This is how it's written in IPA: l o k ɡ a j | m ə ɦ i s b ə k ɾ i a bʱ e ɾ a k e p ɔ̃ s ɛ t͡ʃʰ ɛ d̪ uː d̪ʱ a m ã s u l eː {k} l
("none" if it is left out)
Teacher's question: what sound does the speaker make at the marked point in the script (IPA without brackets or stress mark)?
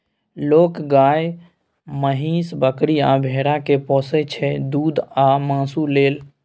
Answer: none